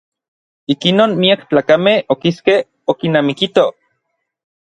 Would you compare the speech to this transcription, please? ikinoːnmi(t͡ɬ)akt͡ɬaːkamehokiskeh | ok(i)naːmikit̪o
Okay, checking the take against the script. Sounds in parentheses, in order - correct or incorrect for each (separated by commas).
incorrect, correct